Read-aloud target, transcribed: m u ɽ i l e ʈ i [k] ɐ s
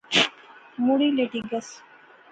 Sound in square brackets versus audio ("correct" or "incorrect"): incorrect